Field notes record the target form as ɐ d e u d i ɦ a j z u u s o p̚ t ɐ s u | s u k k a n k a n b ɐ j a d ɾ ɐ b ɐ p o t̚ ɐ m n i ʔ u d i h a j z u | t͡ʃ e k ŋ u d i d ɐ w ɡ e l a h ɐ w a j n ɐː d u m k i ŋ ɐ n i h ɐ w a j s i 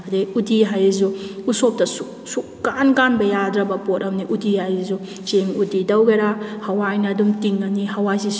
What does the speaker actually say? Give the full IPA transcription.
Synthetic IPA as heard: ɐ d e u d i ɦ a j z u u s o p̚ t ɐ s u | s u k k a n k a n b ɐ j a d ɾ ɐ b ɐ p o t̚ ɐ m n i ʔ u d i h a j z u | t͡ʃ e ŋ u d i d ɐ w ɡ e ɾ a h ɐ w a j n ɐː d u m t i ŋ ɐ n i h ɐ w a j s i